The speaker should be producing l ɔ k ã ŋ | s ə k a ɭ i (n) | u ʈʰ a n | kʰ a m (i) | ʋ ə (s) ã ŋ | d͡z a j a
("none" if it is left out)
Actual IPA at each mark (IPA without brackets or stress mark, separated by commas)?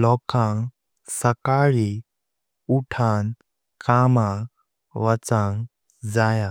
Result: none, a, t͡s